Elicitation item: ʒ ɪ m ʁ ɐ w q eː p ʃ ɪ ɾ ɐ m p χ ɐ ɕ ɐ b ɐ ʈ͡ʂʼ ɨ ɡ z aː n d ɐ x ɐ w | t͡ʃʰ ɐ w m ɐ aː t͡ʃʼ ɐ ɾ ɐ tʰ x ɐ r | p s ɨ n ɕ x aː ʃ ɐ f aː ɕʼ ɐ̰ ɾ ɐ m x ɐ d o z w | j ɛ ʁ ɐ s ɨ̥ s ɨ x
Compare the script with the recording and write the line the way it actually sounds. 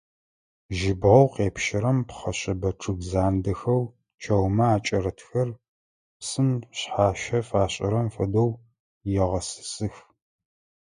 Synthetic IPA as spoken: ʒ ɪ b ʁ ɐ w q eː p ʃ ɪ ɾ ɐ m p χ ɐ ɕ ɐ b ɐ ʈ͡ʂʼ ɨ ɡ z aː n d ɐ x ɐ w | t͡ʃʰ ɐ w m ɐ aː t͡ʃʼ ɐ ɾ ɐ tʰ x ɐ r | p s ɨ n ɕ ħ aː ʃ ɐ f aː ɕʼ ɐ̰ ɾ ɐ m f ɐ d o w | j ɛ ʁ ɐ s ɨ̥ s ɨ x